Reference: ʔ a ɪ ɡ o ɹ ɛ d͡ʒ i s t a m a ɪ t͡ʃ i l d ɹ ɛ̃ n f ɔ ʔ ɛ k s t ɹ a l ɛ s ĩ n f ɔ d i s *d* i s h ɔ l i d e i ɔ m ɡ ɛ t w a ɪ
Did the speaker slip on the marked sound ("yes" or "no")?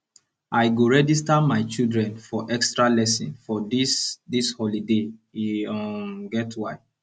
no